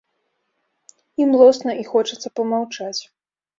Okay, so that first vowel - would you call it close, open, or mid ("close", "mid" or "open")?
close